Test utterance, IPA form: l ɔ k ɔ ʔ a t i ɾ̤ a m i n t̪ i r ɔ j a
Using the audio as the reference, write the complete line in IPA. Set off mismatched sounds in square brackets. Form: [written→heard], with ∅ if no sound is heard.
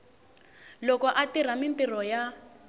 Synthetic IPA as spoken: l ɔ k ɔ ʔ a t i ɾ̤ a m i n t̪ i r ɔ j a